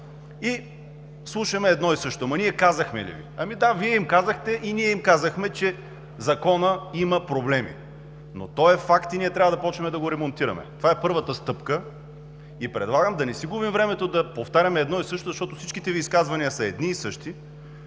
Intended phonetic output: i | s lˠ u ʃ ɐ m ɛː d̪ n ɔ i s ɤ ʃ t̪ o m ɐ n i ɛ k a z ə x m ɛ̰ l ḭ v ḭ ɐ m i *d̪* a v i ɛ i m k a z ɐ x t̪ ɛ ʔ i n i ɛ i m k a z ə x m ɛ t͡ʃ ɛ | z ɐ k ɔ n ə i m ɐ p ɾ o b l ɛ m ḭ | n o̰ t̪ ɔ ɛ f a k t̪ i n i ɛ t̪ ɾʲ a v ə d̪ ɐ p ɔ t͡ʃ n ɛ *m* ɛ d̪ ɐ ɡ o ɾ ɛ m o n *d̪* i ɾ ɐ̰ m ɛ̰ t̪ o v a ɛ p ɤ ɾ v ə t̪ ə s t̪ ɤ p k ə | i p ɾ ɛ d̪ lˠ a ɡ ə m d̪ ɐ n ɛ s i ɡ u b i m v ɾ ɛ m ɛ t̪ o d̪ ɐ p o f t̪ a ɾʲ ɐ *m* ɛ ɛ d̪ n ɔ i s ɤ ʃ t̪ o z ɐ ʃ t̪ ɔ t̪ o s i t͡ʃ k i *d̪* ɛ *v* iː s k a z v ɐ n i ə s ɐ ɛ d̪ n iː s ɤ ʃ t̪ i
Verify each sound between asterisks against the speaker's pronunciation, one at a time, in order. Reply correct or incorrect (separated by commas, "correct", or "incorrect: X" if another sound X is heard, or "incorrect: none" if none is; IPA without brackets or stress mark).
correct, correct, incorrect: t̪, correct, incorrect: t̪, correct